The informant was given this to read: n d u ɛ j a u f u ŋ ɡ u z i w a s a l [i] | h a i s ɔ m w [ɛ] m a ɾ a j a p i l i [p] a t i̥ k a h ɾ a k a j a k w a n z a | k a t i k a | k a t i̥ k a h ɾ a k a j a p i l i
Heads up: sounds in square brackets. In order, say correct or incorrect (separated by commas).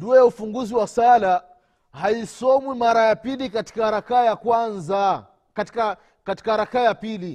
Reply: incorrect, incorrect, incorrect